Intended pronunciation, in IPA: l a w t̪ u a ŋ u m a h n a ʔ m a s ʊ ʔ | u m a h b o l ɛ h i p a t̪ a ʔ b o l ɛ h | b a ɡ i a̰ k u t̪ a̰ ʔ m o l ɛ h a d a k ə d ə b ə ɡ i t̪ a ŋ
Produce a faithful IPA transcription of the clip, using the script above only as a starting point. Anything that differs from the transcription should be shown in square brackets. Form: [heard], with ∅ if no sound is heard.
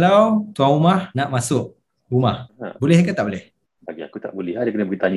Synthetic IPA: l a w t̪ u a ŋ u m a h n a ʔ m a s ʊ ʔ | u m a h b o l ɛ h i [k] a t̪ a ʔ b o l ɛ h | b a ɡ i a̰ k u t̪ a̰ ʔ [b] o l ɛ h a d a k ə [n] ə b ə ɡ i t̪ a [ɲ]